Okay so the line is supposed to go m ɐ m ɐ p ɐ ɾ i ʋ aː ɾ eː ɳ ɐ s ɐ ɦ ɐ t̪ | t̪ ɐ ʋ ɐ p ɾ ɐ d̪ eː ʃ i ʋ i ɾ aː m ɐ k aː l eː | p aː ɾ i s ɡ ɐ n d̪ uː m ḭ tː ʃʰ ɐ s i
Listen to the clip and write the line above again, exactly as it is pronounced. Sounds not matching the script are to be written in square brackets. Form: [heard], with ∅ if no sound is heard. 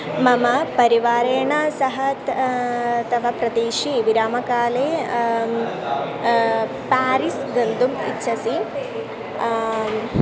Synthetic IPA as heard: m ɐ m ɐ p ɐ ɾ i ʋ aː ɾ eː ɳ ɐ s ɐ ɦ ɐ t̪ | t̪ ɐ ʋ ɐ p ɾ ɐ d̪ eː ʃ i ʋ i ɾ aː m ɐ k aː l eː | p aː ɾ i s ɡ ɐ n d̪ [u] m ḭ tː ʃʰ ɐ s i